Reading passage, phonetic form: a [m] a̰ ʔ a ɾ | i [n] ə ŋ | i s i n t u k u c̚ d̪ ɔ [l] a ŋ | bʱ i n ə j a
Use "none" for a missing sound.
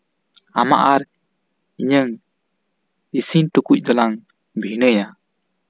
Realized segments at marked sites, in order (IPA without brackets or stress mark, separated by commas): m, ɲ, l